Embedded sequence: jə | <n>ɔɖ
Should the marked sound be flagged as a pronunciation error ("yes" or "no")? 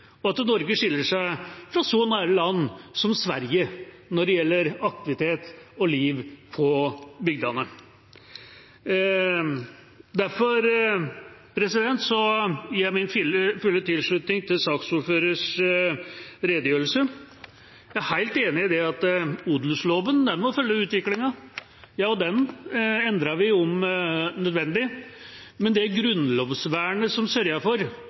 no